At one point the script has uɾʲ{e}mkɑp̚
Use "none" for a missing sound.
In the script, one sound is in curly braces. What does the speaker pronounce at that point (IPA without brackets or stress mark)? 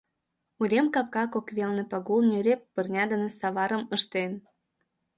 e